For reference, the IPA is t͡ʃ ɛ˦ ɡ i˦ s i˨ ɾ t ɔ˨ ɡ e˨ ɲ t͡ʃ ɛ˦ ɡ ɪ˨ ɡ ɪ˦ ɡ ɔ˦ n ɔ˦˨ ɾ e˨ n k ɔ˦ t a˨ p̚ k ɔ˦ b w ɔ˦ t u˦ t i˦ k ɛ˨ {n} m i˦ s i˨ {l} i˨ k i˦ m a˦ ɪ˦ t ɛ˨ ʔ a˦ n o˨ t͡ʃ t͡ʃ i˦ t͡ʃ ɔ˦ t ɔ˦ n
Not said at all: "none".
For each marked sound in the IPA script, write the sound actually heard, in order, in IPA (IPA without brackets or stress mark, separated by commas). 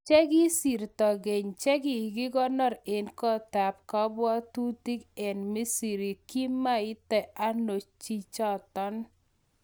n, ɾ